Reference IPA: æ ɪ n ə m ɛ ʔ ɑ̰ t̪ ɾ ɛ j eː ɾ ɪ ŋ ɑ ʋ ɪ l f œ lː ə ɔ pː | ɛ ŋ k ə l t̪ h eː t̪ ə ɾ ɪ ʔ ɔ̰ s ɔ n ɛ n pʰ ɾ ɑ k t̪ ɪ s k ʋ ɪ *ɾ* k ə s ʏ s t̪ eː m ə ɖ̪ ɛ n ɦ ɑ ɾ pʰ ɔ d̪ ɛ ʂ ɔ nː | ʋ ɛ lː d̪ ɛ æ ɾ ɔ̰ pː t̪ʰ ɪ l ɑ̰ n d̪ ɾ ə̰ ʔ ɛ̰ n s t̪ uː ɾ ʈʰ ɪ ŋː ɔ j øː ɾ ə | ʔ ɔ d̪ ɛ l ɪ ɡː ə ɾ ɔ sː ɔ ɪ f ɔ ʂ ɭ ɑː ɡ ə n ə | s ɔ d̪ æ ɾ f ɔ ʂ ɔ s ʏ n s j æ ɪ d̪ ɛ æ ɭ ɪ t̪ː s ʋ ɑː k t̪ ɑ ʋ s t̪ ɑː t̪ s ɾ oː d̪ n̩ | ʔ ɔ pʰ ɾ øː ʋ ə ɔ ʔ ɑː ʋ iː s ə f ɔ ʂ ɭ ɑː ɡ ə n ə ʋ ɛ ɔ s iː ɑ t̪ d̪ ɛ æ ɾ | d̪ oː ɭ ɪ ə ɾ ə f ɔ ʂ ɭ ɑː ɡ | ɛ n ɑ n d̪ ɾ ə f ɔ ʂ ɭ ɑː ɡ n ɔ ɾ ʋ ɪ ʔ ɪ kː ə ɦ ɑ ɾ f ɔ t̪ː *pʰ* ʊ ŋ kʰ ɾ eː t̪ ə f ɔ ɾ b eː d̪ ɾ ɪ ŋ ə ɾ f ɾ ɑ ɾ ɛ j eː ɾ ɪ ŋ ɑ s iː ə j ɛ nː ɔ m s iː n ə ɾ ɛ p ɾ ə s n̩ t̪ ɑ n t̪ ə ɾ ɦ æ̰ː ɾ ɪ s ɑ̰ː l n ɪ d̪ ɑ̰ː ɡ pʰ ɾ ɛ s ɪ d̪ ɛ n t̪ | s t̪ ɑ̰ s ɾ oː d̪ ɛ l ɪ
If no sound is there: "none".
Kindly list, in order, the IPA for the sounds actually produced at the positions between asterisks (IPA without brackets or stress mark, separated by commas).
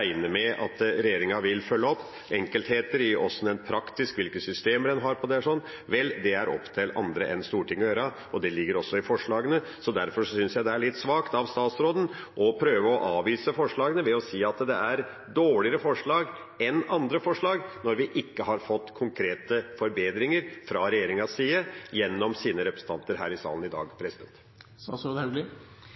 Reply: l, kʰ